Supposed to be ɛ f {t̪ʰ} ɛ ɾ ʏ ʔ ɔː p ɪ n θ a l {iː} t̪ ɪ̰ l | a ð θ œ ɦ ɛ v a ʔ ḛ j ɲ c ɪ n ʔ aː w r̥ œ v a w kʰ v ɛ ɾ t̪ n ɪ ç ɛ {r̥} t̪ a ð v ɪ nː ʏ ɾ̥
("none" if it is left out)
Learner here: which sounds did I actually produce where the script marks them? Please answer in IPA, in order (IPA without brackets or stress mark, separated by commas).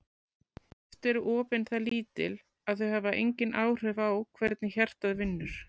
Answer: t̪, iː, r̥